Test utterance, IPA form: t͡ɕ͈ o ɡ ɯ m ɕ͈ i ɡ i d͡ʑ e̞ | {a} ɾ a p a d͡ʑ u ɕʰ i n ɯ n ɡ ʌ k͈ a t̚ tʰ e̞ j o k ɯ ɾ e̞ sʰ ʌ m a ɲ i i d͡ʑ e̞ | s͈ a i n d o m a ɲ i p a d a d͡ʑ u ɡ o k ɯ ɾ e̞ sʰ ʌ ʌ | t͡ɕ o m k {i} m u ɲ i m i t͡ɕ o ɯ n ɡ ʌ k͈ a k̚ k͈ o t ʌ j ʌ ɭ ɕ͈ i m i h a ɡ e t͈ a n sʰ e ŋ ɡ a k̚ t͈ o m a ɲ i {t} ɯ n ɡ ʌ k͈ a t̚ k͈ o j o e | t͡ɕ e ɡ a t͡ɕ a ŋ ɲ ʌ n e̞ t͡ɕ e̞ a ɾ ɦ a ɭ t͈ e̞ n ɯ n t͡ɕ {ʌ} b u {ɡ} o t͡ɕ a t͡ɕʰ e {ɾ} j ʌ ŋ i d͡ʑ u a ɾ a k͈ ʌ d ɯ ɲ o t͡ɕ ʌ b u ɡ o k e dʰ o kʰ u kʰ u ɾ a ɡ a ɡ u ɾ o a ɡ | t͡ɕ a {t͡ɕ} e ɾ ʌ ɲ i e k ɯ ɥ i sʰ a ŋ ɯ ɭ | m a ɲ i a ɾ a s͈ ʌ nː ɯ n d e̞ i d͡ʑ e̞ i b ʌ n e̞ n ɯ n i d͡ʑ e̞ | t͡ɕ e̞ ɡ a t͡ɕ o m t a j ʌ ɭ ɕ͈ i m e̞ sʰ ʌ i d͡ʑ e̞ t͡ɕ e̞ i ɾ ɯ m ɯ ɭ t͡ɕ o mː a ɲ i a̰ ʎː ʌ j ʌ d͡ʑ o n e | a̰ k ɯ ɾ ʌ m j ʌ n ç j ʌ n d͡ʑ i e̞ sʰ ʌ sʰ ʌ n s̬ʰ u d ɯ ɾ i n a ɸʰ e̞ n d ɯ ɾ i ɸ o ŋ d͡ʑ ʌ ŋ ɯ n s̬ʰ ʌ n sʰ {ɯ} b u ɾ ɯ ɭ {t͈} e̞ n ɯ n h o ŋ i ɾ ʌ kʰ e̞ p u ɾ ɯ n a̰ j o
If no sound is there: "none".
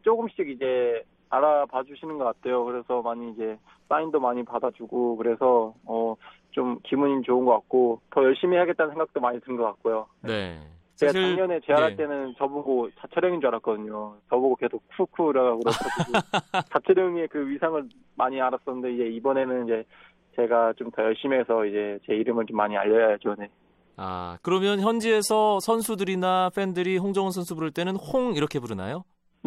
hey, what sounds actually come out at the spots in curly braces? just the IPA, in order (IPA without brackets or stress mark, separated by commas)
a, i, t, ʌ, ɡ, ɾ, t͡ɕʰ, u, t͈